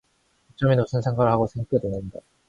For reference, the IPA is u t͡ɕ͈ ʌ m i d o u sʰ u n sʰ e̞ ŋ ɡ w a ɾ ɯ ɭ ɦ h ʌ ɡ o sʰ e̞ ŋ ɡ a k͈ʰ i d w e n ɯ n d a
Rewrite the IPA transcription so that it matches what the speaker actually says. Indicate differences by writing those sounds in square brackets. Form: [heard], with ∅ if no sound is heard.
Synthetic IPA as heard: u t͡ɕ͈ ʌ m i [n] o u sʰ [ɯ] n sʰ e̞ ŋ ɡ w a ɾ ɯ ɭ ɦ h [a] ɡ o sʰ e̞ ŋ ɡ a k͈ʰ [e] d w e n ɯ n d a